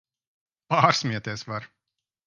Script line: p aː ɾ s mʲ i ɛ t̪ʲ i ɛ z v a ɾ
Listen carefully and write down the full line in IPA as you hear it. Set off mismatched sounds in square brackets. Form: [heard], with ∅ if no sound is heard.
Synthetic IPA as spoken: p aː ɾ s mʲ i ɛ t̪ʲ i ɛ [s] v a ɾ